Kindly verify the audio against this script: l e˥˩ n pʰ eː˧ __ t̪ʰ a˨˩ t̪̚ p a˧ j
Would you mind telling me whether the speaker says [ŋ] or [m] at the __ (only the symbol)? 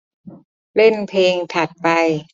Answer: ŋ